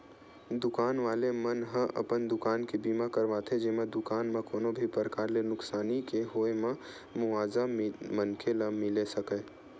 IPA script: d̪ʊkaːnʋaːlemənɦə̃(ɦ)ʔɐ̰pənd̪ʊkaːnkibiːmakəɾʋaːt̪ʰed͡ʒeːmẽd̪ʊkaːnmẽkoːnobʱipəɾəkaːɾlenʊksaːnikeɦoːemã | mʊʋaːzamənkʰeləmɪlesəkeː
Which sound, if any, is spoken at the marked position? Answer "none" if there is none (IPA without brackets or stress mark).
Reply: none